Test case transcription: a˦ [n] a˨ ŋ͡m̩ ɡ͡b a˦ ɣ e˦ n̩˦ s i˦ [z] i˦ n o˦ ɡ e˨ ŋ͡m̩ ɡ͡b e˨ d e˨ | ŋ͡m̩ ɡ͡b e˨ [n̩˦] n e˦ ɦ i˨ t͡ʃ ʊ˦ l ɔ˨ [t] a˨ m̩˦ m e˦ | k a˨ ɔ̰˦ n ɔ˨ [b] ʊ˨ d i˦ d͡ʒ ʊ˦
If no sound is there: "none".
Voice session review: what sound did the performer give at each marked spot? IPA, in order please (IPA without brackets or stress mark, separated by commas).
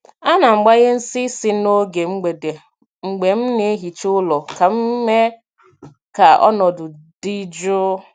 n, s, m̩˦, k, d